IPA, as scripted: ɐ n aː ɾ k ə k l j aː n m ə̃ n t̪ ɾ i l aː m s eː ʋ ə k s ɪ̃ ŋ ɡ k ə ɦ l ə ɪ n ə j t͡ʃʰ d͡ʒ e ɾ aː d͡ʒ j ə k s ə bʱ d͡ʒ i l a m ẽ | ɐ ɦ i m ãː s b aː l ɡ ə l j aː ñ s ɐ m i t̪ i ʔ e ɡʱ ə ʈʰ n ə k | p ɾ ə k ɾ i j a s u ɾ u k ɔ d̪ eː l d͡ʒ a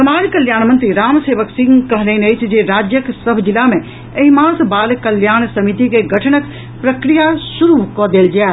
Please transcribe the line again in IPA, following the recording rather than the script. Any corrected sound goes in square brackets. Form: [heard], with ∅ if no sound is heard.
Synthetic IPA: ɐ [m] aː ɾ k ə [∅] l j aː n m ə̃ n t̪ ɾ i [ɾ] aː m s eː ʋ ə k s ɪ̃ ŋ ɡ k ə ɦ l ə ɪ n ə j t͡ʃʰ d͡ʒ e ɾ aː d͡ʒ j ə k s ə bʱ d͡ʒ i l a m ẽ | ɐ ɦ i m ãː s b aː l [k] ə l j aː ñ s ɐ m i t̪ i [k] e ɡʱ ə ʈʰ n ə k | p ɾ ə k ɾ i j a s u ɾ u k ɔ d̪ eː l d͡ʒ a